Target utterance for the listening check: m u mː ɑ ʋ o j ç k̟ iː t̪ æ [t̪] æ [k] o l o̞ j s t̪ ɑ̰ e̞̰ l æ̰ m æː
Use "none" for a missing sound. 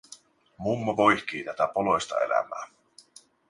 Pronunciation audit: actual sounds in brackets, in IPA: t̪, p

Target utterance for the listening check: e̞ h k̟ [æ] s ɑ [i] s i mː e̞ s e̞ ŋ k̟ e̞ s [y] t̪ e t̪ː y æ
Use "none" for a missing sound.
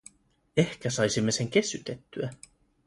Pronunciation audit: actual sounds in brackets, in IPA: æ, j, y

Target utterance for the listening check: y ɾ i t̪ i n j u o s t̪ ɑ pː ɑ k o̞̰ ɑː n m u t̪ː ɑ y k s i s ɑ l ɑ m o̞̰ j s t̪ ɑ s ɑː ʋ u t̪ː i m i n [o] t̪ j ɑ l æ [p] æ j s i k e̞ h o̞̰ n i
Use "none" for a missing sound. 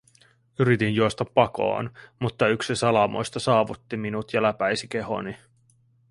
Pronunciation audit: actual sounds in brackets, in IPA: u, p

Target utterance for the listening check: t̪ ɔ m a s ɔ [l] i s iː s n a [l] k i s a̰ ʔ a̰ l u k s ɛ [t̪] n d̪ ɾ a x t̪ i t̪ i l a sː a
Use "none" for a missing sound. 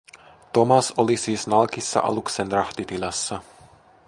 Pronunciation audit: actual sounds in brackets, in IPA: l, l, none

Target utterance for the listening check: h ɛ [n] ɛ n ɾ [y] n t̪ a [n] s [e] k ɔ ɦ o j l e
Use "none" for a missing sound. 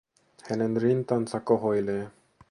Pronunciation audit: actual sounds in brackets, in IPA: n, i, n, a

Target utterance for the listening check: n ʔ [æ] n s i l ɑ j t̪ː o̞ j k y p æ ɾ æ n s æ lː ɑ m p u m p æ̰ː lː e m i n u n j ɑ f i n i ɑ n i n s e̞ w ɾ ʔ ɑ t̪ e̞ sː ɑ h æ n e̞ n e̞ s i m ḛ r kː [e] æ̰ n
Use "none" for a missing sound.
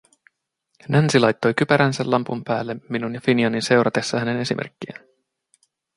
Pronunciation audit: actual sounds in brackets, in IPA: æ, i

